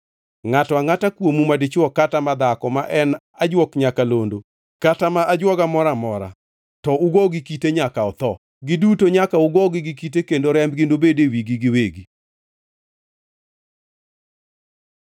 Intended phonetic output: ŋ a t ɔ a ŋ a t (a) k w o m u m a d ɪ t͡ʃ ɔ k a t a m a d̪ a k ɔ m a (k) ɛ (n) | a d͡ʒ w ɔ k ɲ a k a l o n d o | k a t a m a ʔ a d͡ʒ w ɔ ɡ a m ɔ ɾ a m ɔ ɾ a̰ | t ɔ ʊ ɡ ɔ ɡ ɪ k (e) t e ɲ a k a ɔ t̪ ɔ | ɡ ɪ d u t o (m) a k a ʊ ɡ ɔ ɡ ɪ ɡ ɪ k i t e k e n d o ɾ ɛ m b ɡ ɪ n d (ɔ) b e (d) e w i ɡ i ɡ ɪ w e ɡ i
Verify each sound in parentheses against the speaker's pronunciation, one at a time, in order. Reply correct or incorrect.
correct, incorrect, correct, incorrect, incorrect, incorrect, correct

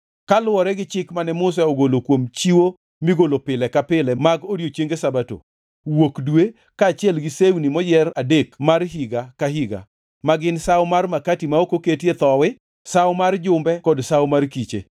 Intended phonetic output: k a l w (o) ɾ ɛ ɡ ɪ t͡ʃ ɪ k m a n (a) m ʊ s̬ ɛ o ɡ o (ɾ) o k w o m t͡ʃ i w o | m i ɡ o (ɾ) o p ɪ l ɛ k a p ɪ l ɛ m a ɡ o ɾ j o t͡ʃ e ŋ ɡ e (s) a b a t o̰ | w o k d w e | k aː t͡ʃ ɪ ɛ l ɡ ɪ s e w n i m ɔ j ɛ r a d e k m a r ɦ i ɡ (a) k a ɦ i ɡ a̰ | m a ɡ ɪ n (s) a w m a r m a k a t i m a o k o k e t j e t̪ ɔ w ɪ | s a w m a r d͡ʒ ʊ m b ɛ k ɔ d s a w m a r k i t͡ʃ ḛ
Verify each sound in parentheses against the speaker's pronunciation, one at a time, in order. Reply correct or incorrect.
incorrect, incorrect, incorrect, incorrect, correct, correct, correct

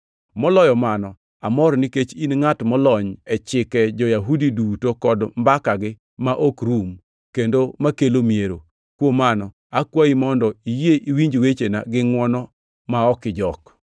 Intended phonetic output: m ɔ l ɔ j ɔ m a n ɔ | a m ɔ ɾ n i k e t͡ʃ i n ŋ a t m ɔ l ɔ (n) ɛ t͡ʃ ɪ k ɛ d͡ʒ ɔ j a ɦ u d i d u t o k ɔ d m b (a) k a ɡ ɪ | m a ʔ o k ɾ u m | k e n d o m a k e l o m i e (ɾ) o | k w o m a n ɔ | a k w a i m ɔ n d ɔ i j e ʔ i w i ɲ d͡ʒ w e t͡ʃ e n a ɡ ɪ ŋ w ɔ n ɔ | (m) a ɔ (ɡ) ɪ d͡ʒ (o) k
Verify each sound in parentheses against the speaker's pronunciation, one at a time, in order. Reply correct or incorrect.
incorrect, correct, correct, correct, incorrect, incorrect

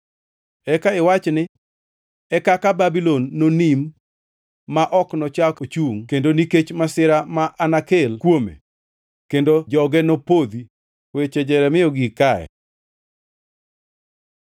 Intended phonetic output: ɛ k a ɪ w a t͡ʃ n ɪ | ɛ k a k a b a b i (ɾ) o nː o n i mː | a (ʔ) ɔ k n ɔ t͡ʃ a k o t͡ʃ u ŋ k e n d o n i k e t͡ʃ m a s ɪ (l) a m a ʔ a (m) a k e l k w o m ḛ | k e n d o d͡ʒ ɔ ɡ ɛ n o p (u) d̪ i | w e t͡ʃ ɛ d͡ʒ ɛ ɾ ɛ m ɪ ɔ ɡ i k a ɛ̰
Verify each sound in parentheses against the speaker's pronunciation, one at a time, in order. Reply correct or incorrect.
incorrect, correct, incorrect, incorrect, incorrect

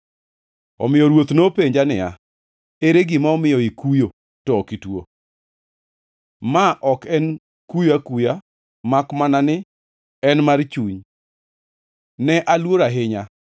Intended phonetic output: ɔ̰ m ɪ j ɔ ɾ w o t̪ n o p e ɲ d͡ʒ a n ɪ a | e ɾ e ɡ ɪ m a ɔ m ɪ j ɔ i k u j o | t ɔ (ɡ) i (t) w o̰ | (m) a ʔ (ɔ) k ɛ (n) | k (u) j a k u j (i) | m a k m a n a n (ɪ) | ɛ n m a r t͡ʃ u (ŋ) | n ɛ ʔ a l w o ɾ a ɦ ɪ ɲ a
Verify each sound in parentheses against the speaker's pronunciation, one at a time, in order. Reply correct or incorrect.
incorrect, correct, correct, correct, correct, correct, incorrect, correct, incorrect

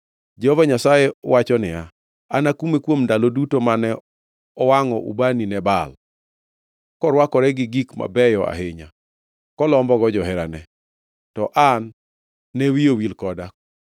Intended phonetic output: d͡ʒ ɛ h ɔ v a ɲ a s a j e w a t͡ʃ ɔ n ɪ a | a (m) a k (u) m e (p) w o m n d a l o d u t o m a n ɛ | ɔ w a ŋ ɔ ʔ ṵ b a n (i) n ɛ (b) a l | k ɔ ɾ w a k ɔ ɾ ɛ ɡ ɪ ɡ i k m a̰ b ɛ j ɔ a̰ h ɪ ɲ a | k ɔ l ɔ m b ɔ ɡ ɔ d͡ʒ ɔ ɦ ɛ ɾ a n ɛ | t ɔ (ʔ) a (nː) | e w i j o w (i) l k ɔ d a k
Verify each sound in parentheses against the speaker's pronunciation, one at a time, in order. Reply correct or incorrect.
incorrect, correct, incorrect, correct, correct, correct, correct, correct

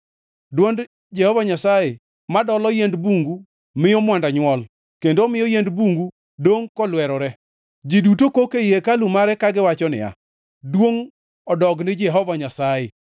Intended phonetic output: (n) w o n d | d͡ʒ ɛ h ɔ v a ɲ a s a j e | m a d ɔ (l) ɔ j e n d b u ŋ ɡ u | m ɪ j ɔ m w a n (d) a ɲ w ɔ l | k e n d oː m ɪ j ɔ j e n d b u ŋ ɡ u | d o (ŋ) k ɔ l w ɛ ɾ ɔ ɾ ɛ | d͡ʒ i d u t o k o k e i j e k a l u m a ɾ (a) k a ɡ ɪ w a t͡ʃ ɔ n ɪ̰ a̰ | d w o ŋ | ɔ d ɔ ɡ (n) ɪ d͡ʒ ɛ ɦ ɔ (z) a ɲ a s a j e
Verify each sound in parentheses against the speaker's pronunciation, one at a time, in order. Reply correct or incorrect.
incorrect, correct, correct, correct, incorrect, correct, incorrect

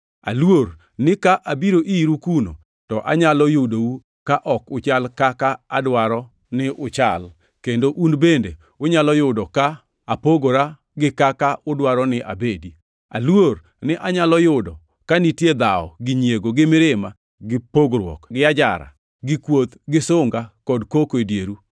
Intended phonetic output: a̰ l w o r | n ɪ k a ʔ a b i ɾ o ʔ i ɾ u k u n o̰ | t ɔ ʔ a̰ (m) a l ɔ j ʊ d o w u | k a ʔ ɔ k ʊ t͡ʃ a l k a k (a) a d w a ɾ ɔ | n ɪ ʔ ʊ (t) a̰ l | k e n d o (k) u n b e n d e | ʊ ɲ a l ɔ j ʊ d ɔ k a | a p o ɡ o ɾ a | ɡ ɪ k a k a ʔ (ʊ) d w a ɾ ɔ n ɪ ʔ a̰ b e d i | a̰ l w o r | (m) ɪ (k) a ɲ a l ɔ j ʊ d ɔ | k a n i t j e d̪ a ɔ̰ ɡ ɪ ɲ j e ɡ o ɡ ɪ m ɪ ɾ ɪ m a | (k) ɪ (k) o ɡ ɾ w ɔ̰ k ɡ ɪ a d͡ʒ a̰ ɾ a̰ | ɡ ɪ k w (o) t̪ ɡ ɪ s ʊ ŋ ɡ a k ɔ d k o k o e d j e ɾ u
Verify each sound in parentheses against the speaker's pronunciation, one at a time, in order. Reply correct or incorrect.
incorrect, correct, incorrect, incorrect, correct, incorrect, incorrect, incorrect, incorrect, correct

